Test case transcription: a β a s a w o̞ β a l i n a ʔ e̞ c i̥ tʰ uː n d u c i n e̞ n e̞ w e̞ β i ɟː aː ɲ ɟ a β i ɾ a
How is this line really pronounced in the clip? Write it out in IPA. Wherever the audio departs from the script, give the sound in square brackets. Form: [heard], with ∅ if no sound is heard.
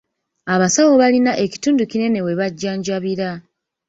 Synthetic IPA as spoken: a β a s a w o̞ β a l i n a ʔ e̞ c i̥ [t] uː n d u c i n e̞ n e̞ w e̞ β [a] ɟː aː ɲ ɟ a β i ɾ a